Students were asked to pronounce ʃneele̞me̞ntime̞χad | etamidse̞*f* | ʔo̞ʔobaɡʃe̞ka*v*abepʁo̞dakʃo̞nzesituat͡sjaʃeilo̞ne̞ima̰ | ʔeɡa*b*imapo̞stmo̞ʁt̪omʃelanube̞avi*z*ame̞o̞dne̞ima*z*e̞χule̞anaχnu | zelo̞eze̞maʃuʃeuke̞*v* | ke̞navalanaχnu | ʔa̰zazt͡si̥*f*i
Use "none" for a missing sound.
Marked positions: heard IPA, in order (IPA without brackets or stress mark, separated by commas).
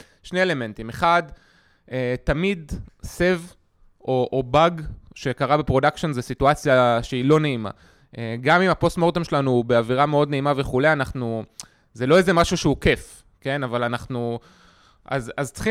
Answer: v, ʁ, m, ʁ, v, f, χ